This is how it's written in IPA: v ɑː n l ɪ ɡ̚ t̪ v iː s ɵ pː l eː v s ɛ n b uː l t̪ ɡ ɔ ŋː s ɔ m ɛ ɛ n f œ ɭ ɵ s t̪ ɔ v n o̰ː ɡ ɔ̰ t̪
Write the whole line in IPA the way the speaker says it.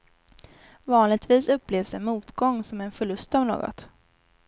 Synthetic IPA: v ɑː n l ɪ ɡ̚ t̪ v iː s ɵ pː l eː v s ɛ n m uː t̪ ɡ ɔ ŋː s ɔ m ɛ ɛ n f œ ɭ ɵ s t̪ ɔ v n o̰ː ɡ ɔ̰ t̪